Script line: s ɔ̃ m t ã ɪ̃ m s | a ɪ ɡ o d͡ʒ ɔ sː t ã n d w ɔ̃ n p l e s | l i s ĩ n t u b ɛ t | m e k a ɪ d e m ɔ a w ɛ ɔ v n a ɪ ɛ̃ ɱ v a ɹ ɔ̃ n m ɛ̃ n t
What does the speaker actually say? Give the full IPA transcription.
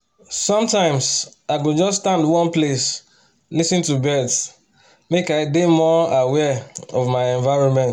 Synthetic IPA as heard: s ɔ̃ m t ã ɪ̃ m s | a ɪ ɡ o d͡ʒ ɔ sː t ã n d w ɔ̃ n p l e s | l i s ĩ n t u b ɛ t | m e k a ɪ d e m ɔ a w ɛ ɔ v m a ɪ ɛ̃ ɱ v a ɹ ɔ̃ n m ɛ̃ n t